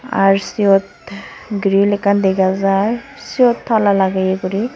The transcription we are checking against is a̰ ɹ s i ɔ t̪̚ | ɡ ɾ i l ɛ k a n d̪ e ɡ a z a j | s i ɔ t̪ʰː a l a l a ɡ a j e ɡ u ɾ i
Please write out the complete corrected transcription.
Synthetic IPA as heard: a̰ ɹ s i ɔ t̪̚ | ɡ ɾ i l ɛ k a n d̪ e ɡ a z a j | s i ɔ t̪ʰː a l a l a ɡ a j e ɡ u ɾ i